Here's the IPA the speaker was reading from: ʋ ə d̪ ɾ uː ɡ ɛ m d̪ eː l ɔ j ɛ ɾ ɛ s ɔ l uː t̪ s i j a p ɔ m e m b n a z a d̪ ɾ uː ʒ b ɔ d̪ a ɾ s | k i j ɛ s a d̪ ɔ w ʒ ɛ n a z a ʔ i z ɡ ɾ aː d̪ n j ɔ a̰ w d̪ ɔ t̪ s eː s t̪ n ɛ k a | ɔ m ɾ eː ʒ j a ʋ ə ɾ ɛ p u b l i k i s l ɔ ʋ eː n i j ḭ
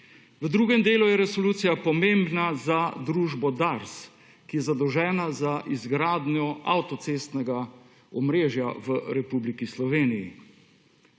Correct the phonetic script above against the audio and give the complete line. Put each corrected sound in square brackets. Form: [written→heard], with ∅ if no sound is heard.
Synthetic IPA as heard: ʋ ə d̪ ɾ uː ɡ ɛ m d̪ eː l [ɔ→u] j ɛ ɾ ɛ s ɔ l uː t̪ s i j a p ɔ m e m b n a z a d̪ ɾ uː ʒ b ɔ d̪ a ɾ s | k i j ɛ [s→z] a d̪ ɔ w ʒ [ɛ→ɛː] n a z a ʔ i z ɡ ɾ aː d̪ n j ɔ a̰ w [d̪→t̪] ɔ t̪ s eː s t̪ n ɛ [k→ɡ] a | ɔ m ɾ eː ʒ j a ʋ ə ɾ ɛ p u b l i k i s l ɔ ʋ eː n i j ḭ